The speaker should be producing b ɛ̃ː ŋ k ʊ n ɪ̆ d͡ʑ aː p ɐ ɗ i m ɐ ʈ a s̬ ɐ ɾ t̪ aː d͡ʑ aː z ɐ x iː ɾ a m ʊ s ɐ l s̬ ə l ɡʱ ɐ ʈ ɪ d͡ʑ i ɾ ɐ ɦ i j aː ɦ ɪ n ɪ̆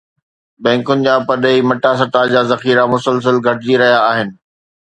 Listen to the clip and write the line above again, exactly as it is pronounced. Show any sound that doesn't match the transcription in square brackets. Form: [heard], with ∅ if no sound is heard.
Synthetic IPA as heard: b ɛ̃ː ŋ k ʊ n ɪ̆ d͡ʑ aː p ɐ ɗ i m ɐ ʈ a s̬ ɐ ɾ t̪ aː d͡ʑ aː z ɐ x iː ɾ a m ʊ s [ə] l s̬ ə l ɡʱ ɐ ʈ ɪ d͡ʑ i ɾ ɐ ɦ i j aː ɦ ɪ n ɪ̆